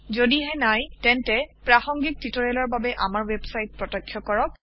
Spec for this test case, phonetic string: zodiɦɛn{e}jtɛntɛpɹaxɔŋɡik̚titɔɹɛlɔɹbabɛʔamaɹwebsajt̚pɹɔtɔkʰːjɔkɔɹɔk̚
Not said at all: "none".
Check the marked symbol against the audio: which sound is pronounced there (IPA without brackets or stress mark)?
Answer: a